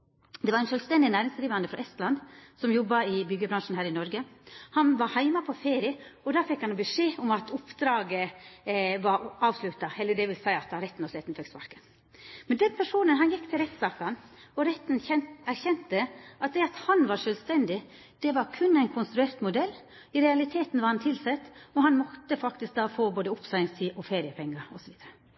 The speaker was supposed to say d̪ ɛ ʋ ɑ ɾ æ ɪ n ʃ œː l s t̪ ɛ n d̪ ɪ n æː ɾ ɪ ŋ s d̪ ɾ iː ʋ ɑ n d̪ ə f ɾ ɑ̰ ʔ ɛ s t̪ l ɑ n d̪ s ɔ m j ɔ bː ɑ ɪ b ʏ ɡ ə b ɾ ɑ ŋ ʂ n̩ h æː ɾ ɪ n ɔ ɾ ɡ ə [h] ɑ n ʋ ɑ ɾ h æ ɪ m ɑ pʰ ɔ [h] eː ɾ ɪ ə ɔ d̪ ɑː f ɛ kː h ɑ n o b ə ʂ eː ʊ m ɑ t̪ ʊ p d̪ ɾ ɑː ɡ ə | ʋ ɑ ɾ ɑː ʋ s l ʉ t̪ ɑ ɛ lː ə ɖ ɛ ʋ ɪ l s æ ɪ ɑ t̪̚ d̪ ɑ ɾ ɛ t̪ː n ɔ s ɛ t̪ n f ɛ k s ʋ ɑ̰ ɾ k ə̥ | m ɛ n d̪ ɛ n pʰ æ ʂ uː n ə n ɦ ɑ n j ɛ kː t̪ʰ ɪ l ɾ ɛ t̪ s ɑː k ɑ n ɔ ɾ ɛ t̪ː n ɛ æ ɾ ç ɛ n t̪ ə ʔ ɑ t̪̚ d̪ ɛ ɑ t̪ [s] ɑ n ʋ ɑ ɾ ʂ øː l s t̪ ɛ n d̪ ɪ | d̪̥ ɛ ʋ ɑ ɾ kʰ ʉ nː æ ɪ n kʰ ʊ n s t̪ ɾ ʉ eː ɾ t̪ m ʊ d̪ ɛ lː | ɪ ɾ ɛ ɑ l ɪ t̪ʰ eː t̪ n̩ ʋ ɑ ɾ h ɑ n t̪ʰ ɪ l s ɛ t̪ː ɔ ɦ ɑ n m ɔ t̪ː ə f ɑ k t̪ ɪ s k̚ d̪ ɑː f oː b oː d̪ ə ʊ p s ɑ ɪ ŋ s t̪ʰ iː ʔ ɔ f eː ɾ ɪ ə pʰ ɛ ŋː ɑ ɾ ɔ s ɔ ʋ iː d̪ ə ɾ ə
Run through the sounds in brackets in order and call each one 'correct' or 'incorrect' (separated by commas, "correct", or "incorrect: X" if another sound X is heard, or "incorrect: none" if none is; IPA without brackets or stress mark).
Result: correct, incorrect: f, incorrect: h